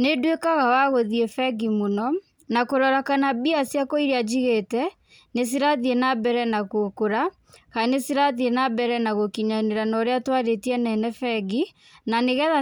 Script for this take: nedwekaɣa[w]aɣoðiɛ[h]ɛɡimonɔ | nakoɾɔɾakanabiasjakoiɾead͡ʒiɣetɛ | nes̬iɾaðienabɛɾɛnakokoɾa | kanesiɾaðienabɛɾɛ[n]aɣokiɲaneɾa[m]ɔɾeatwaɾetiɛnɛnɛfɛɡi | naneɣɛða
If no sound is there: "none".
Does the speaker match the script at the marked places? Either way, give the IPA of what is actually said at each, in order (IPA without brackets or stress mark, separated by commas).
w, f, n, n